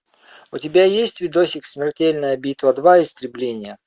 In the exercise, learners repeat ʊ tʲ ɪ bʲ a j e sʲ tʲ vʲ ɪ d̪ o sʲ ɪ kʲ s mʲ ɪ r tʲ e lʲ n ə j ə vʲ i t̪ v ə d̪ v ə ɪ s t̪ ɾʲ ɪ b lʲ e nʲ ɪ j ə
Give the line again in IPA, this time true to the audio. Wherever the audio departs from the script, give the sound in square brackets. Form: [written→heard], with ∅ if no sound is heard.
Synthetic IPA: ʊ tʲ ɪ bʲ a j e sʲ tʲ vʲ ɪ d̪ o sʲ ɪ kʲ s mʲ ɪ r tʲ e lʲ n ə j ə [vʲ→bʲ] i t̪ v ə d̪ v [ə→a] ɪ s t̪ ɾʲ ɪ b lʲ e nʲ ɪ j ə